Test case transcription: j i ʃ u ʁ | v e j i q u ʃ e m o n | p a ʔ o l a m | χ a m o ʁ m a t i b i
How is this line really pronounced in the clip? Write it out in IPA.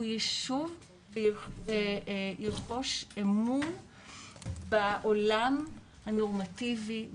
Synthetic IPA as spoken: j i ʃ u v | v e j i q o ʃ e m u n | b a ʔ o l a m | h a n o ʁ m a t i v i

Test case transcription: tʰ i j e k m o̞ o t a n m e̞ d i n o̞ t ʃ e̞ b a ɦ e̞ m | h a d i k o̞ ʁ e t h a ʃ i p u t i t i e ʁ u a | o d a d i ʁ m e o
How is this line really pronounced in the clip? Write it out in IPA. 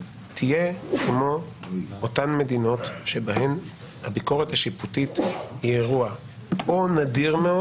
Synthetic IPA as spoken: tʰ i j e k m o̞ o t a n m e̞ d i n o̞ t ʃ e̞ b a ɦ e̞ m | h a b i k o̞ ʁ e t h a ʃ i p u t i t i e ʁ u a | o n a d i ʁ m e o

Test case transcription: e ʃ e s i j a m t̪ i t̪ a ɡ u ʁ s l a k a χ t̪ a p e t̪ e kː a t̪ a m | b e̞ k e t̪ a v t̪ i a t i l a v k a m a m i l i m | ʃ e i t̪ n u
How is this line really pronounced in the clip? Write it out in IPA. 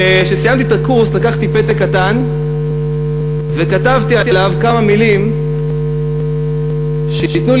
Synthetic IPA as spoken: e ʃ e s i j a m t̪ i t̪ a k u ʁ s l a k a χ t̪ i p e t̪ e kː a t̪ a n | v e̞ k a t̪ a v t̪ i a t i l a v k a m a m i l i m | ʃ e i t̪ n u

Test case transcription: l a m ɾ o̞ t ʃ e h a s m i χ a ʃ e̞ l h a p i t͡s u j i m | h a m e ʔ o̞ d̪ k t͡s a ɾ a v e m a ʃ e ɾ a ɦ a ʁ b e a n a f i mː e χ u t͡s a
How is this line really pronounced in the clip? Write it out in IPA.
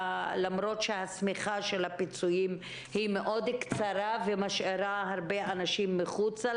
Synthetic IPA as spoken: l a m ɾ o̞ t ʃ e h a s m i χ a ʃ e̞ l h a p i t͡s u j i m | h i m e ʔ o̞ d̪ k t͡s a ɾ a v e m a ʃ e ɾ a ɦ a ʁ b e a n a ʃ i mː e χ u t͡s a

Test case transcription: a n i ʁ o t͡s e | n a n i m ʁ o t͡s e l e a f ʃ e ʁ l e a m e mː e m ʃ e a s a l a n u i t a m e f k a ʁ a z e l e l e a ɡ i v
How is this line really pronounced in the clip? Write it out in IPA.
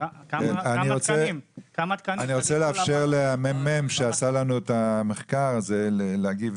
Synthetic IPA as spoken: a n i ʁ o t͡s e | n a n i ʁ o t͡s e l e a f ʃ e ʁ l e a m e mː e m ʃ e a s a l a n u e t a m e χ k a ʁ a z e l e l e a ɡ i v

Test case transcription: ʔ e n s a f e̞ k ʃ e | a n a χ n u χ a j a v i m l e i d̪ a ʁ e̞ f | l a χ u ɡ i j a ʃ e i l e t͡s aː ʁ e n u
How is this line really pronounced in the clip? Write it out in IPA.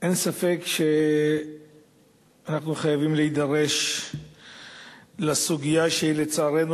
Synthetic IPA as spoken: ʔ e n s a f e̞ k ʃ e | a n a χ n u χ a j a v i m l e i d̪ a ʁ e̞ ʃ | l a s u ɡ i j a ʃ e i l e t͡s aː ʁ e n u

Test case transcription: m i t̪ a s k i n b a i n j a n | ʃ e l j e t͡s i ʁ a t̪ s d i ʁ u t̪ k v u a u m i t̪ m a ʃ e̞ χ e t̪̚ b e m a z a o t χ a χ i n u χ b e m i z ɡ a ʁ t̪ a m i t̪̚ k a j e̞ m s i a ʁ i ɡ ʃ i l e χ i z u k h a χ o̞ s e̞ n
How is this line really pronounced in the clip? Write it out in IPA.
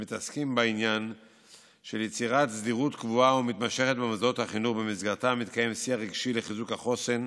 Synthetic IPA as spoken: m i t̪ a s k i m b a i n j a n | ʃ e l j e t͡s i ʁ a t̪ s d i ʁ u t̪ k v u a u m i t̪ m a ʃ e̞ χ e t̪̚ b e m a z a o t h a χ i n u χ b e m i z ɡ a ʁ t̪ a m i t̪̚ k a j e̞ m s i a ʁ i ɡ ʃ i l e χ i z u k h a χ o̞ s e̞ n

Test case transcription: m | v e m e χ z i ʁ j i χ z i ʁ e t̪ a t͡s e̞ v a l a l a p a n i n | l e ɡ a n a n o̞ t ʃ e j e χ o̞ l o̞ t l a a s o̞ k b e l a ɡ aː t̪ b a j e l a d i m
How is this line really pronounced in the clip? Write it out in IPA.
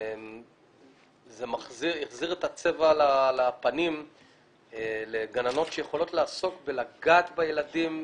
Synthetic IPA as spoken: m | z e m a χ z i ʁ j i χ z i ʁ e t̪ a t͡s e̞ v a l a l a p a n i m | l e ɡ a n a n o̞ t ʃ e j e χ o̞ l o̞ t l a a s o̞ k b e l a ɡ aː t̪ b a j e l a d i m

